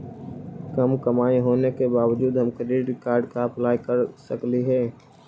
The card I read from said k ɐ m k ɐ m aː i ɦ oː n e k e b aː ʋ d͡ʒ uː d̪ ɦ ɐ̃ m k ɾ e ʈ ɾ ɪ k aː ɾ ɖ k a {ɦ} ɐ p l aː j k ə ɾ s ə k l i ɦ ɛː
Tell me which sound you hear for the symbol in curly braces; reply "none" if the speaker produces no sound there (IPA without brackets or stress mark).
none